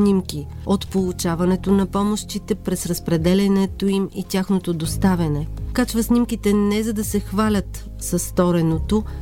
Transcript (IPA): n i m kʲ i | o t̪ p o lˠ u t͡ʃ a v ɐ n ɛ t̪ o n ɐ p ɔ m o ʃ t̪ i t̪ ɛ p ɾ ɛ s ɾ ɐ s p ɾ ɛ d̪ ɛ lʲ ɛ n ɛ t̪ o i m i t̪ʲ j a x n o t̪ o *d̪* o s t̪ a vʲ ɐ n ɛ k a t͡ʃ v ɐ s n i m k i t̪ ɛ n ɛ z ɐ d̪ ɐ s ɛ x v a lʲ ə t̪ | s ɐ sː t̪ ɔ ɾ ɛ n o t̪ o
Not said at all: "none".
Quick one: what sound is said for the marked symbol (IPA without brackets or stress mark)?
d̪